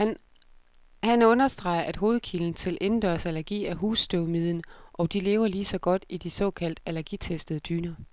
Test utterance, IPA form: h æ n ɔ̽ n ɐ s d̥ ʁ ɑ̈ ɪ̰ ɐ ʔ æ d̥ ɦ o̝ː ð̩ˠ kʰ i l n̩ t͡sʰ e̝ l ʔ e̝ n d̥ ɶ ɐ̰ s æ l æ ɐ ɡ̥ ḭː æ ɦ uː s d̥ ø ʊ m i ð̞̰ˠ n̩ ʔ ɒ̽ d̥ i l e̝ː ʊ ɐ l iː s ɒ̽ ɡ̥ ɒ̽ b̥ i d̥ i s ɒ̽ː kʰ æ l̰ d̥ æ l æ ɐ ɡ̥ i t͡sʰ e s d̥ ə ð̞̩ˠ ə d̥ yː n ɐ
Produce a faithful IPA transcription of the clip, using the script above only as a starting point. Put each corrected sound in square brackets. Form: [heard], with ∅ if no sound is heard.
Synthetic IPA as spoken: h æ n ɔ̽ n ɐ s d̥ ʁ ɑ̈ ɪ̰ ɐ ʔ æ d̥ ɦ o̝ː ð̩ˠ kʰ i l n̩ t͡sʰ e̝ l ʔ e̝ n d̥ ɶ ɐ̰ s æ l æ ɐ ɡ̥ ḭː æ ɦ uː s d̥ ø ʊ m i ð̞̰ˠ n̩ ʔ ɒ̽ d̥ i l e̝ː ʊ ɐ l iː s ɒ̽ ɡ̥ ɒ̽ [d̥] i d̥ i s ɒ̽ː kʰ æ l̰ d̥ æ l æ ɐ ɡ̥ i t͡sʰ e s d̥ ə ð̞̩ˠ ə d̥ yː n ɐ